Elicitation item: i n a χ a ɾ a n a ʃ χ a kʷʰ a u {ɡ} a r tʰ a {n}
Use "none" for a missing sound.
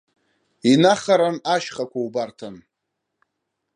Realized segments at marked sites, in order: b, n

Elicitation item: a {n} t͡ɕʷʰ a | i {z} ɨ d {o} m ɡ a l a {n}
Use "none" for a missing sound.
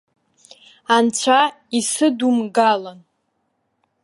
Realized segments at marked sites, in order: n, s, u, n

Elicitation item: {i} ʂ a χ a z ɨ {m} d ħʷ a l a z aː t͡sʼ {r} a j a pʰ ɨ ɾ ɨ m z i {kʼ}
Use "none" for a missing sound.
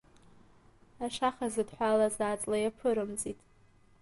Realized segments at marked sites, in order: a, none, l, tʼ

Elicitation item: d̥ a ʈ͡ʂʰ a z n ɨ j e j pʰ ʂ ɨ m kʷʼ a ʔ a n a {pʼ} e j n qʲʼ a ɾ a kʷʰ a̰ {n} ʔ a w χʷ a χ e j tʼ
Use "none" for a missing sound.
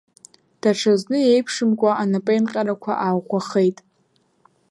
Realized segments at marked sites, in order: pʼ, none

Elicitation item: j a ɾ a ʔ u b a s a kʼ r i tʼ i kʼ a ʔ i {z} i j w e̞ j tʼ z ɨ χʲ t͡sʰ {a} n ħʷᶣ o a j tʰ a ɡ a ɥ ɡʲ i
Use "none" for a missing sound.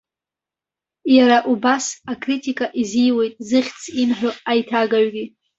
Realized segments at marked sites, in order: z, i

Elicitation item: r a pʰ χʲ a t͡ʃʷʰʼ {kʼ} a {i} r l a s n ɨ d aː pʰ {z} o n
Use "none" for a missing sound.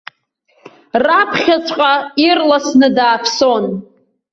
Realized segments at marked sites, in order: qʼ, i, s

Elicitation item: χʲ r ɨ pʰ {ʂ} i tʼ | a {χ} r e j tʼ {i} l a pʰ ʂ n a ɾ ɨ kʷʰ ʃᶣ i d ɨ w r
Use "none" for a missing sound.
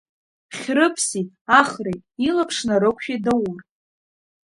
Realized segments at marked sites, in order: s, χ, i

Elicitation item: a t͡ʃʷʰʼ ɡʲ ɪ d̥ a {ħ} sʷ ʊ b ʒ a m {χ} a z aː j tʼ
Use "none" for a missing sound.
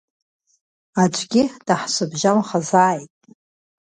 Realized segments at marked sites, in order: ħ, χ

